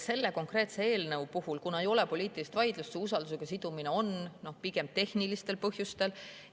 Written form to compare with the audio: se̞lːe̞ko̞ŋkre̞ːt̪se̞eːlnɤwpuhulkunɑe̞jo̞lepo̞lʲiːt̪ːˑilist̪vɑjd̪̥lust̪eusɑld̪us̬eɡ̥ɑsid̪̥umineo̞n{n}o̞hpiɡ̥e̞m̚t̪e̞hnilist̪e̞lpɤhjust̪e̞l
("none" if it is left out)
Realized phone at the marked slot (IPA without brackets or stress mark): n